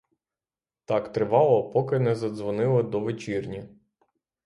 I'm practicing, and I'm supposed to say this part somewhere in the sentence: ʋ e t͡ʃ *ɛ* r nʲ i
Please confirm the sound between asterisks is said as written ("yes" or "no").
no